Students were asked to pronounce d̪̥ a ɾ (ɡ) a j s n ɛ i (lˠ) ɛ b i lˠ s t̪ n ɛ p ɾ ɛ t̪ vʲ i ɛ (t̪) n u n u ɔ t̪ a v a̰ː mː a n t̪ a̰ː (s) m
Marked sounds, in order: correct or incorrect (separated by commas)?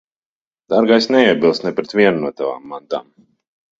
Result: correct, incorrect, incorrect, incorrect